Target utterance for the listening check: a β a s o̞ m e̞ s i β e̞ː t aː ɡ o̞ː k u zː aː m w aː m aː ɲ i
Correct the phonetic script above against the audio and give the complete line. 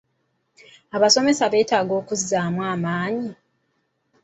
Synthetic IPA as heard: a β a s o̞ m e̞ s a β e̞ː t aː ɡ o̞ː k u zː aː m w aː m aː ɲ i